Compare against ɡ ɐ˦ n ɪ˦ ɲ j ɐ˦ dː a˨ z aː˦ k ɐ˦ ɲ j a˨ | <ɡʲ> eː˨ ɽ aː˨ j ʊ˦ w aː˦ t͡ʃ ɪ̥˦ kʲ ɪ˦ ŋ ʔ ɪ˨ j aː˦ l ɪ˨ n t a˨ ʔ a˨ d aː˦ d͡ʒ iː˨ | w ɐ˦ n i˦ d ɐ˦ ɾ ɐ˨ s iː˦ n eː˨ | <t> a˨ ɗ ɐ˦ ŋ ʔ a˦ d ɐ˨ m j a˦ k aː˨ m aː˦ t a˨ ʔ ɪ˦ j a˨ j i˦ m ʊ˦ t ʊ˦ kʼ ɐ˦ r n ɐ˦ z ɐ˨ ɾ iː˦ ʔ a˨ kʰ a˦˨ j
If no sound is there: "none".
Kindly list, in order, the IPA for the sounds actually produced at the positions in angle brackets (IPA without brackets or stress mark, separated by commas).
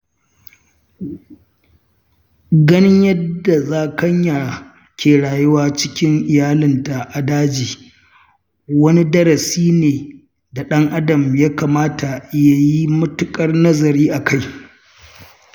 kʲ, d